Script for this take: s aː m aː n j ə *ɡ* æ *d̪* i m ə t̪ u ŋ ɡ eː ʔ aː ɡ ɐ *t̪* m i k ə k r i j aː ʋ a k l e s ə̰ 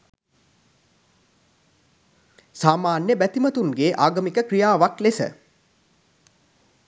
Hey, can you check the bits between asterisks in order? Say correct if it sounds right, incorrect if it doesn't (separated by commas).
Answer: incorrect, incorrect, incorrect